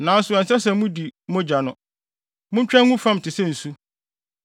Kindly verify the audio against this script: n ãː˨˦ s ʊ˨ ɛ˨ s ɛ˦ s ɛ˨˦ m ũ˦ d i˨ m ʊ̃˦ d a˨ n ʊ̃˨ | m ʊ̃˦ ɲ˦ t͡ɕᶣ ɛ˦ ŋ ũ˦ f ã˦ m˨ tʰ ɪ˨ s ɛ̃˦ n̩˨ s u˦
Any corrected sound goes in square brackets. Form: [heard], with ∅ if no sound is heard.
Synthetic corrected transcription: n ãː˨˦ s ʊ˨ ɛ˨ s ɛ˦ s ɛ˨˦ m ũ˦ d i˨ m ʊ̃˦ [d͡ʑ] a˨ n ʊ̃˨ | m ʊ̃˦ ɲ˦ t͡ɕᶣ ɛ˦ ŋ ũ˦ f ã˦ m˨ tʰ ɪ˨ s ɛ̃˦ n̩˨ s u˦